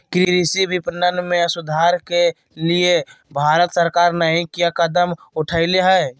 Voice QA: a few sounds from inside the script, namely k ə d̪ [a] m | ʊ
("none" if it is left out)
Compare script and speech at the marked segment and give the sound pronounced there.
ə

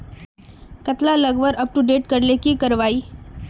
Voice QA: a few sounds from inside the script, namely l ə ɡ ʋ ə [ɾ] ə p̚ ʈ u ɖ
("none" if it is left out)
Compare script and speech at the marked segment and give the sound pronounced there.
ɾ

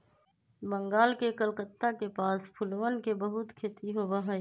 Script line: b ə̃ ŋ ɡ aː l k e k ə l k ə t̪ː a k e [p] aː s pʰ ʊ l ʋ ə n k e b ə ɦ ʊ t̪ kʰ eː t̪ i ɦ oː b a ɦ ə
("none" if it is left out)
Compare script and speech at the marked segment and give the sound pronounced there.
p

